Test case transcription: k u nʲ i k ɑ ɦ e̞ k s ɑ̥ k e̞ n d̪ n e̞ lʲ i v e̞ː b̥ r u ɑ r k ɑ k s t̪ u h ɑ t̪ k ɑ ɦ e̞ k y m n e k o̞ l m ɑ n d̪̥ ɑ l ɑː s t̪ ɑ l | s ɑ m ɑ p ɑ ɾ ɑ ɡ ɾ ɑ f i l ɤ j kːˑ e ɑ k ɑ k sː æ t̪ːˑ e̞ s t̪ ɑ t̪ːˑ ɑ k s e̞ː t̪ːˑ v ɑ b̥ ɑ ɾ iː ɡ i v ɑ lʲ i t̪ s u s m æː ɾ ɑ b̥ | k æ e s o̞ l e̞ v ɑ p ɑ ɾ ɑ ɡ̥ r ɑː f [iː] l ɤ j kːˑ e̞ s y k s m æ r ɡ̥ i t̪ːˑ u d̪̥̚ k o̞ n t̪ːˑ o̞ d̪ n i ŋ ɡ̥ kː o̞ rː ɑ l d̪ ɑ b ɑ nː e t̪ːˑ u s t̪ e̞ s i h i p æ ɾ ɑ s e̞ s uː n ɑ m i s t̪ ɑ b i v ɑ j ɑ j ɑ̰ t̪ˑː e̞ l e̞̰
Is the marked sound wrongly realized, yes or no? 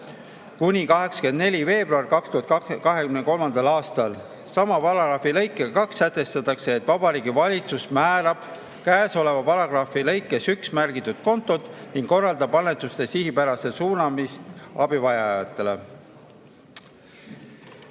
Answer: yes